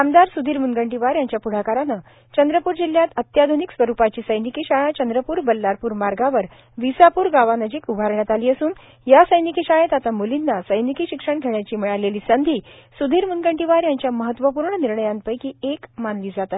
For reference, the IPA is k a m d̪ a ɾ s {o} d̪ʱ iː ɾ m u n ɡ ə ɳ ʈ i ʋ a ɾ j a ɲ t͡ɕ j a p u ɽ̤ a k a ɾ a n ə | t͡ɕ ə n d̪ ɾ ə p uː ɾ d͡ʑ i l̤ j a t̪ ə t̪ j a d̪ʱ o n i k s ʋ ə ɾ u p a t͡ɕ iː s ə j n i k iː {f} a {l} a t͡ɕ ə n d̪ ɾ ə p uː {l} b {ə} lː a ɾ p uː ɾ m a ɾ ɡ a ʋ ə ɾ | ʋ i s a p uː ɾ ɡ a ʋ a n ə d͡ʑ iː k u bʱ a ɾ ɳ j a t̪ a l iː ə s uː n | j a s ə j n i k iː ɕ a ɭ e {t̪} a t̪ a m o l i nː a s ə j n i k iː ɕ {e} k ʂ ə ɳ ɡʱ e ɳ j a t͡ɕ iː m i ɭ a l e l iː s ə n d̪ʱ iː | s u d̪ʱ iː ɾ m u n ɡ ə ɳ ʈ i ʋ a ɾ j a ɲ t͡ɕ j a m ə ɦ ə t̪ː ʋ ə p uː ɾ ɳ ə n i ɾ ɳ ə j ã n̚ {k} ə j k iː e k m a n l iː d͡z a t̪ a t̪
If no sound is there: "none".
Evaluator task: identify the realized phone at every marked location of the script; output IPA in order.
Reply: u, ɕ, ɭ, ɾ, ə, t̪, i, p

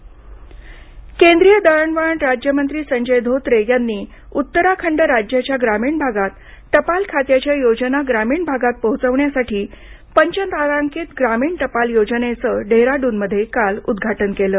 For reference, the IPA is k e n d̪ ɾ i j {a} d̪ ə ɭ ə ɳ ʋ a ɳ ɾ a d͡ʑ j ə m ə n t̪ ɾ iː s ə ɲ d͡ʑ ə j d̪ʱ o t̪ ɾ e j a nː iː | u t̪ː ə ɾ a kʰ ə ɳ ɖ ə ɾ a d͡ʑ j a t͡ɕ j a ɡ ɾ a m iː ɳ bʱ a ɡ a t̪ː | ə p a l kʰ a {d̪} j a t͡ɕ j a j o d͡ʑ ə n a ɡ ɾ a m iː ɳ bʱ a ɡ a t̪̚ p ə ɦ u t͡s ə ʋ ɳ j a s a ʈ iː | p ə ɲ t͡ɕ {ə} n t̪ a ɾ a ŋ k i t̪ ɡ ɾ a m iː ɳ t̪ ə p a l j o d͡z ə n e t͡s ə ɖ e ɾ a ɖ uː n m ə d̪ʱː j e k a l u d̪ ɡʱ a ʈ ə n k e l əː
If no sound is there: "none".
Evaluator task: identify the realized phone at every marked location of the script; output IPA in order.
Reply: ə, t̪, ə

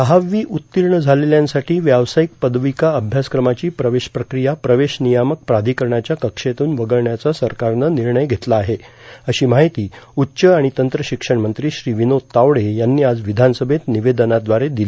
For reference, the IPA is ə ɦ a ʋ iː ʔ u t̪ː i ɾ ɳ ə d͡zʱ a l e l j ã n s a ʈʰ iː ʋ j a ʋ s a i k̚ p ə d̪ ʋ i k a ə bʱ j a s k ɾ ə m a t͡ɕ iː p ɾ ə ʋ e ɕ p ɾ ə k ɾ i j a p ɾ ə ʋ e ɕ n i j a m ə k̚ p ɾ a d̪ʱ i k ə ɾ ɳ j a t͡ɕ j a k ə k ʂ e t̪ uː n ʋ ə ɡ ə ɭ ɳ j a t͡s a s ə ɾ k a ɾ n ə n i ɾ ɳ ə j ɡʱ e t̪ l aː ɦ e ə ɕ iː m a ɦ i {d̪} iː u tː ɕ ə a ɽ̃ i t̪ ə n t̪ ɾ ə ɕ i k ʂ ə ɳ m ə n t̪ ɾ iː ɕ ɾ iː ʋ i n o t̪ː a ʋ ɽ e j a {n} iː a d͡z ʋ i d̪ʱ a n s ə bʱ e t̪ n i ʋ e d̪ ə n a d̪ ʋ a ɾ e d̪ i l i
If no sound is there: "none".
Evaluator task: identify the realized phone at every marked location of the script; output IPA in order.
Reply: t̪, nː

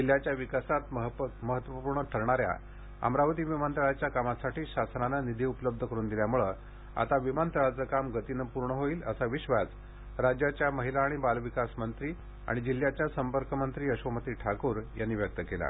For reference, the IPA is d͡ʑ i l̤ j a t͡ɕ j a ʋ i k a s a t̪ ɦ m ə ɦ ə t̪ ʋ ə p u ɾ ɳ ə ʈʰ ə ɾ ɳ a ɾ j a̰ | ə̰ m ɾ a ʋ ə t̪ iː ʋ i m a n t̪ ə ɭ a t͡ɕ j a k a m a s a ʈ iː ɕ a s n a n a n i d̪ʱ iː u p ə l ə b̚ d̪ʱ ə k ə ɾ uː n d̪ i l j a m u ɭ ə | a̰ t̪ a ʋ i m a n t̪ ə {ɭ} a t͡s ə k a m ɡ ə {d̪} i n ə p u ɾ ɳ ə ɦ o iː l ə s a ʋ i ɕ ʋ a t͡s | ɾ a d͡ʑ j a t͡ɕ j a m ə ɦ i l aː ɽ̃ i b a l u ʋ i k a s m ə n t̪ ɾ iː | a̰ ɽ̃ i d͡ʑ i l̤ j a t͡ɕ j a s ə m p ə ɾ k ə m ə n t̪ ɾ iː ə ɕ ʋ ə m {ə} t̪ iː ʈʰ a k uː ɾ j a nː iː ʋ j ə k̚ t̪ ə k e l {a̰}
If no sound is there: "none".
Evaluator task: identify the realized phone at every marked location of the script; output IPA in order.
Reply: ɭ, t̪, ə, a̰

